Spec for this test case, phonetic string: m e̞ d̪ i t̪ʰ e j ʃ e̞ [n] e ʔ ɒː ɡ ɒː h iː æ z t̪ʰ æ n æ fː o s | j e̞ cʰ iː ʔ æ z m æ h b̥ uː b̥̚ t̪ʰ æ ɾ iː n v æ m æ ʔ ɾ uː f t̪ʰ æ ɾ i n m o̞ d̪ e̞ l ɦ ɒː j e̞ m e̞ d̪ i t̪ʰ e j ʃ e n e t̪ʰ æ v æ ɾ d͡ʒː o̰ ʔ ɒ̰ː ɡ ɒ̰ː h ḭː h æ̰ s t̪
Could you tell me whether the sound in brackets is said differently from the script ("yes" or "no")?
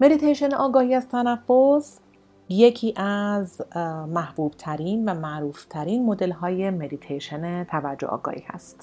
no